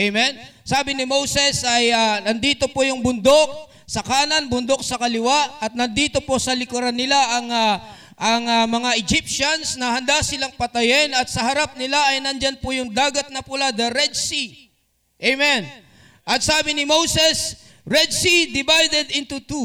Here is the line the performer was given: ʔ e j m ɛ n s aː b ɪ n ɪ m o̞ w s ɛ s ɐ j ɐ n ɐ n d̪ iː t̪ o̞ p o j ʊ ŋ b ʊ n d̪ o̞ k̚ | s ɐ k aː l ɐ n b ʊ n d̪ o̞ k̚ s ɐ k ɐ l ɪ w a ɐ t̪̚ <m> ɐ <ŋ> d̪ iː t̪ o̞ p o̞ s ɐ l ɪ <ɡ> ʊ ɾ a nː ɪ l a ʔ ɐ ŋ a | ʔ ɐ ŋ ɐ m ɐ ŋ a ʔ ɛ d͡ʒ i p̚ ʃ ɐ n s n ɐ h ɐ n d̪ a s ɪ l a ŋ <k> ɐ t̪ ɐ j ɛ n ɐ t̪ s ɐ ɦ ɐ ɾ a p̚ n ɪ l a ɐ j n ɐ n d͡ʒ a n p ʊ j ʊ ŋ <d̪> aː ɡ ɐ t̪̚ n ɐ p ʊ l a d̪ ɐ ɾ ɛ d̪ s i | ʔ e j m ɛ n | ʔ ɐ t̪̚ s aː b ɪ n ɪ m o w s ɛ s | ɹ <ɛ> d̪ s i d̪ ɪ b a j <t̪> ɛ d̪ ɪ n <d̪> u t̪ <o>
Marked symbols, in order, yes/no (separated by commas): no, no, no, no, yes, yes, no, no, no